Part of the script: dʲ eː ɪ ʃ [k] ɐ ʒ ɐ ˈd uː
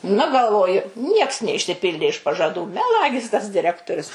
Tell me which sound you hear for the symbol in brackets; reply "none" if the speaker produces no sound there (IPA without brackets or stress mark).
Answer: p